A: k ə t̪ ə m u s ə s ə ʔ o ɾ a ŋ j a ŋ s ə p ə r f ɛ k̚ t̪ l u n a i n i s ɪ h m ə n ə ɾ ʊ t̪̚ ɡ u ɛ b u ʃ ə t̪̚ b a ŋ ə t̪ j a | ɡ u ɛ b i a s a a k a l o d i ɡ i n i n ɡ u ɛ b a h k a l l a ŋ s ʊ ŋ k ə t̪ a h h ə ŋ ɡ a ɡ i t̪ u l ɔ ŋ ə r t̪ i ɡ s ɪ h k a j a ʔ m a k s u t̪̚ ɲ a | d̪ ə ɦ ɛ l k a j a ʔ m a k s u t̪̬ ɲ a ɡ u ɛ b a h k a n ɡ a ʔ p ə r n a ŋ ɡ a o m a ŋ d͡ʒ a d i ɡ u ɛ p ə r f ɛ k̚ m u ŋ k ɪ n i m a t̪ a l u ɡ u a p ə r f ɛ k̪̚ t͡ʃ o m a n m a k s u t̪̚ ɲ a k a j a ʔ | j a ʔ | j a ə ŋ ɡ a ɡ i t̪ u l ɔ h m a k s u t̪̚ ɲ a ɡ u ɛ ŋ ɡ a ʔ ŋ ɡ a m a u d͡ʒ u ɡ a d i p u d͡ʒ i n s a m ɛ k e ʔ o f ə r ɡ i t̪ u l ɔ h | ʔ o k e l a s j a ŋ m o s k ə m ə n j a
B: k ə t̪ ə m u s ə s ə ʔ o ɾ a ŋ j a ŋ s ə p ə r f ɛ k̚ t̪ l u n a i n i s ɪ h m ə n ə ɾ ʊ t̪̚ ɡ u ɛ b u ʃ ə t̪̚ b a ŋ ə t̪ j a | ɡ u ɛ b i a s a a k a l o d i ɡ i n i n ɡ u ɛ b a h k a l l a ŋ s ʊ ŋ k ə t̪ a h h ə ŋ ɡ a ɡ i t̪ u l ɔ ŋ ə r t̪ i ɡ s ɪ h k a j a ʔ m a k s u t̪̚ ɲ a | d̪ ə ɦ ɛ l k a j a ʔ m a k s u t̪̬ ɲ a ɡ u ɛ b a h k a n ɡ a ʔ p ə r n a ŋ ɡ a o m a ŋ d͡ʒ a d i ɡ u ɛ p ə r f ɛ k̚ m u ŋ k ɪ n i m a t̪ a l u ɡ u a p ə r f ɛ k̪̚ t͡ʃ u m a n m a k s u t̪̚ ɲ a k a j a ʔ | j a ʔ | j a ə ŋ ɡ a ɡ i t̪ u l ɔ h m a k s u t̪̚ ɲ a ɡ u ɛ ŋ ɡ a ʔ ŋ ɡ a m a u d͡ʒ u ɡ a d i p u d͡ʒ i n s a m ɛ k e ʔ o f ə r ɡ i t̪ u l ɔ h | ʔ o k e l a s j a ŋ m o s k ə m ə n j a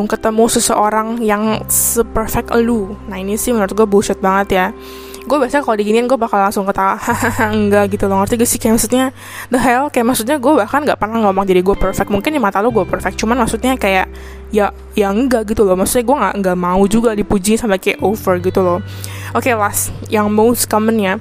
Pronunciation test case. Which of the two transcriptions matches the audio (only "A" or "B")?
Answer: B